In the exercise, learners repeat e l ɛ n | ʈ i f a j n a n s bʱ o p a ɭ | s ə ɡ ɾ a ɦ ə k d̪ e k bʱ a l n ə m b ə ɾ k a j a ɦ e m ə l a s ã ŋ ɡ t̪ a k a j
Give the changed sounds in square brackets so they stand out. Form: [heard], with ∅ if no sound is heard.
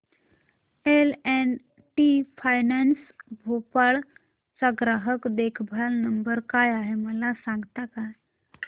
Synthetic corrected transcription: e l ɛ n | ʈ i f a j n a n s bʱ o p a ɭ | s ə ɡ ɾ a ɦ ə k d̪ e [kʰ] bʱ a l n ə m b ə ɾ k a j a ɦ e m ə l a s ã ŋ ɡ t̪ a k a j